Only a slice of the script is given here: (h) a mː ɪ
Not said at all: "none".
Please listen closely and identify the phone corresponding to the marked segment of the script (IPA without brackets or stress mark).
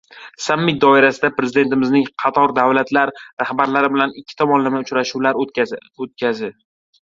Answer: s